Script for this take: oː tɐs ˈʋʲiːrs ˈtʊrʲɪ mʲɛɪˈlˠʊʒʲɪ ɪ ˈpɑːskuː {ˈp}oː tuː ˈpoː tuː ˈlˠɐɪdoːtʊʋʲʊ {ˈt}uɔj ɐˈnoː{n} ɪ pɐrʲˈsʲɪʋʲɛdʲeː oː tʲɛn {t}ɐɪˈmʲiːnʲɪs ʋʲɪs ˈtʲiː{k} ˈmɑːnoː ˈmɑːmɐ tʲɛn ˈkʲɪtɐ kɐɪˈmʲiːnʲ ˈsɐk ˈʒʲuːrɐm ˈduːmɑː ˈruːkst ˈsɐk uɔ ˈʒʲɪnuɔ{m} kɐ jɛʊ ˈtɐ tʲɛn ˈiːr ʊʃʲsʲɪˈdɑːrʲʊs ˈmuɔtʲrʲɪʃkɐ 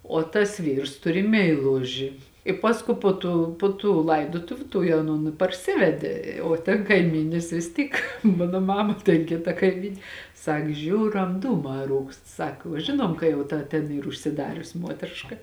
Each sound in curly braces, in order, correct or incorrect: correct, correct, correct, incorrect, correct, correct

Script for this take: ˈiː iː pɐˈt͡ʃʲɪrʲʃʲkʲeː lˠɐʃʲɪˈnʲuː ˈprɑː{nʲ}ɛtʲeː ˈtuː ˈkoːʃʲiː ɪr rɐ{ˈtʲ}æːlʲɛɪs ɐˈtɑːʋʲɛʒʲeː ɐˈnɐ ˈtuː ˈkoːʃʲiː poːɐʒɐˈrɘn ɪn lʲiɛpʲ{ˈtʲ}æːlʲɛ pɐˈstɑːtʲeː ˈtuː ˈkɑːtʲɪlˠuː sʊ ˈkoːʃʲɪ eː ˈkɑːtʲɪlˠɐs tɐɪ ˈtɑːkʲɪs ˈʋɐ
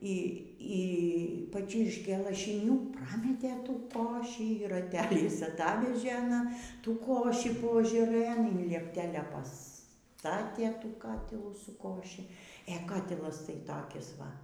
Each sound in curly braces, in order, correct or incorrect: incorrect, correct, correct

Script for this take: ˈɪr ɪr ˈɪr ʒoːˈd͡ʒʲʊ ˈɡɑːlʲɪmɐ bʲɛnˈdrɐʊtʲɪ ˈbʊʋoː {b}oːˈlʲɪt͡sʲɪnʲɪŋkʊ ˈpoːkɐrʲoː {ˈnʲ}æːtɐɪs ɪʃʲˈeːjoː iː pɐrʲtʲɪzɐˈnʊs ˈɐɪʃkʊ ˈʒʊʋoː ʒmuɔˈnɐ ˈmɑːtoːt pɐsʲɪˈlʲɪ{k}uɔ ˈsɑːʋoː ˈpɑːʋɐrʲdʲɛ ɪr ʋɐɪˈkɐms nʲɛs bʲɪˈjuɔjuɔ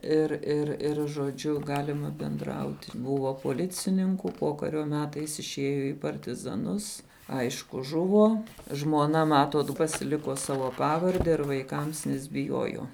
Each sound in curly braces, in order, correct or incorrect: incorrect, incorrect, correct

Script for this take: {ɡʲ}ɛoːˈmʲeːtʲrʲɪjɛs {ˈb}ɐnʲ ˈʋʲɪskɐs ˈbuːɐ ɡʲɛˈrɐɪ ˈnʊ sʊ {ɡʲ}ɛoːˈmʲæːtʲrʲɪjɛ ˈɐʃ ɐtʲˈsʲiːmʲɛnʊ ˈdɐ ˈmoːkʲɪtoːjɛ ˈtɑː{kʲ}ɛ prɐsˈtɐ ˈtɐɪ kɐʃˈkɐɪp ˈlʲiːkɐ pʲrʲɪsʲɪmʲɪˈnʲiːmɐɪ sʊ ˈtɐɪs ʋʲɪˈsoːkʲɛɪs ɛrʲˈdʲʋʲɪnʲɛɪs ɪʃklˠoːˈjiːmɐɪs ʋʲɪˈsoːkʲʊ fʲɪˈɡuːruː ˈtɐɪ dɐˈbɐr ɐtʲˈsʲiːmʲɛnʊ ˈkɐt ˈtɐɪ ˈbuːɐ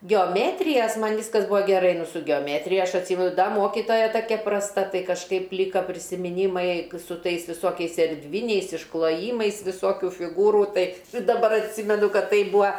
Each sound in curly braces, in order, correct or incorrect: correct, incorrect, correct, correct

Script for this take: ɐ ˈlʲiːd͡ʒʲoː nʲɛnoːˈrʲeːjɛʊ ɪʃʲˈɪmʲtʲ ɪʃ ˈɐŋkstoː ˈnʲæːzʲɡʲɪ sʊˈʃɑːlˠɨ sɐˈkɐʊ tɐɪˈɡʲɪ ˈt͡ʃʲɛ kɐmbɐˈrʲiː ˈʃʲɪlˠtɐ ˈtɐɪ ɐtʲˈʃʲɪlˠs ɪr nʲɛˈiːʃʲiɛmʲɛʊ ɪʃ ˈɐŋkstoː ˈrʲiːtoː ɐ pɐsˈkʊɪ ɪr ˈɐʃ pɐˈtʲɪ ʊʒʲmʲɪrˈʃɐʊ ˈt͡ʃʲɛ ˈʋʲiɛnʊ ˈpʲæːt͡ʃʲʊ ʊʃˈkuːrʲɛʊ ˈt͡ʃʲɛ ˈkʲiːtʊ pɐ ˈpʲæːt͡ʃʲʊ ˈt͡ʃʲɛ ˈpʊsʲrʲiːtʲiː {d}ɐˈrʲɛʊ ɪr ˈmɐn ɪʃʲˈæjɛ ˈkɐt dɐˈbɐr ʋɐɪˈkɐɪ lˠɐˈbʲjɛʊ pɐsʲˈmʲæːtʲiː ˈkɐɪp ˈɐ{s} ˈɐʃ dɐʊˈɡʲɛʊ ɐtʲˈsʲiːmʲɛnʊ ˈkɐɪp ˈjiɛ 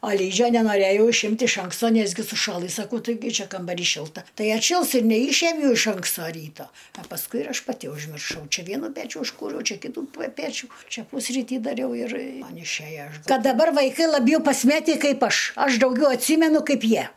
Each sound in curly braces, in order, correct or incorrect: correct, incorrect

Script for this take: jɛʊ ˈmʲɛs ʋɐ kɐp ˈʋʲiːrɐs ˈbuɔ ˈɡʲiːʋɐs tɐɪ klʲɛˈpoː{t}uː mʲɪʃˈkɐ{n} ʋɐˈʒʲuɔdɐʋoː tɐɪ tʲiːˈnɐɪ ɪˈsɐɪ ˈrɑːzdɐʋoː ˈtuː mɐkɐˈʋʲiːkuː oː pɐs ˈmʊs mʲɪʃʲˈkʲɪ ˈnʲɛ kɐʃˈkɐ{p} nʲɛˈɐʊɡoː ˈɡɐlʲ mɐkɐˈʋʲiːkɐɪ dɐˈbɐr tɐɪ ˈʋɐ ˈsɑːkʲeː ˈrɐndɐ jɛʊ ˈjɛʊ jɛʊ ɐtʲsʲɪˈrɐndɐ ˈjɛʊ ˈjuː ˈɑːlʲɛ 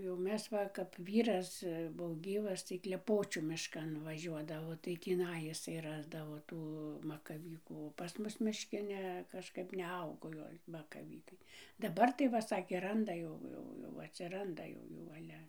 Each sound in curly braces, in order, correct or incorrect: incorrect, correct, correct

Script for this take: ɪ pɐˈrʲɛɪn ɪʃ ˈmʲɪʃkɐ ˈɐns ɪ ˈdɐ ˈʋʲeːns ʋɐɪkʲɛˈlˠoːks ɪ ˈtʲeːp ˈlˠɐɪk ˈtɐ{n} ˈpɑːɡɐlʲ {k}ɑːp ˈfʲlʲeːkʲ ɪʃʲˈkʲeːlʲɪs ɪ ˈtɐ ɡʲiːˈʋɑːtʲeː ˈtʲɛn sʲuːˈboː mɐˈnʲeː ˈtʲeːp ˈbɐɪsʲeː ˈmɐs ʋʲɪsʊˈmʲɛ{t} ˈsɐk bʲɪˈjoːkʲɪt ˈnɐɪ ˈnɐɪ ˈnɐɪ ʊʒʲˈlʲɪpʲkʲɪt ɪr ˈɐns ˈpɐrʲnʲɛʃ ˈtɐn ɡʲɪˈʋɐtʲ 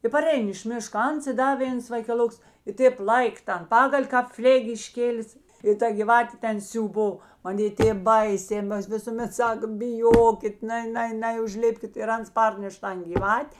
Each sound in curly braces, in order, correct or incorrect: correct, correct, correct

